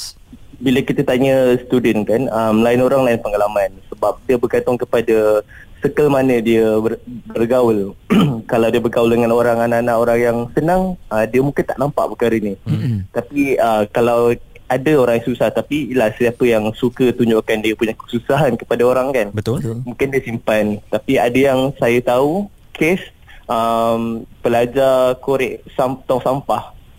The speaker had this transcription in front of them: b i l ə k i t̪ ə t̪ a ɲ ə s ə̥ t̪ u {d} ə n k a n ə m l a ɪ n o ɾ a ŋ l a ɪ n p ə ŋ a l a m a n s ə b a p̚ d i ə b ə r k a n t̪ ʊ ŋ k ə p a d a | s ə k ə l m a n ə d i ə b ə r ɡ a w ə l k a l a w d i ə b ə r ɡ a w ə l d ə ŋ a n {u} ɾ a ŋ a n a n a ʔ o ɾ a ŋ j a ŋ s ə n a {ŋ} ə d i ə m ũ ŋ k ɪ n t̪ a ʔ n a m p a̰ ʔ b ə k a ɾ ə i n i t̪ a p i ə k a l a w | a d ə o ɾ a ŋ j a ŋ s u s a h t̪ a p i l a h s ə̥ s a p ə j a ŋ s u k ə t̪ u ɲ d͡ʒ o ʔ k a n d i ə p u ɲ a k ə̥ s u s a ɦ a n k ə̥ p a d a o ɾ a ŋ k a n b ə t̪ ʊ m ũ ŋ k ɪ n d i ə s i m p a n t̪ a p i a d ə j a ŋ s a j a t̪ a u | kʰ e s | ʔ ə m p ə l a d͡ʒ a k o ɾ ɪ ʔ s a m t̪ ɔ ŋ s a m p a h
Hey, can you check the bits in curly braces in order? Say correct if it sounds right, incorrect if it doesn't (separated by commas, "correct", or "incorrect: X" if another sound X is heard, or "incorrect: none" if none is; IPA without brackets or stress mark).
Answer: correct, incorrect: o, correct